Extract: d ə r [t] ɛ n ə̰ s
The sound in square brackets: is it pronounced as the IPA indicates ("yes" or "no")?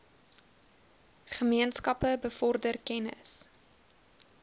no